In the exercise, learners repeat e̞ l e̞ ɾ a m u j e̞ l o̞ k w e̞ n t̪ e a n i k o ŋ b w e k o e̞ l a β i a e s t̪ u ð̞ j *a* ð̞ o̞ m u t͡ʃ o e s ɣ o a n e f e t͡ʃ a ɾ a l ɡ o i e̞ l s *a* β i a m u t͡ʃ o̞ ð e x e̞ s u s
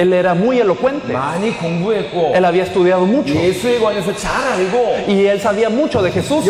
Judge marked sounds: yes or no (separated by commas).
yes, yes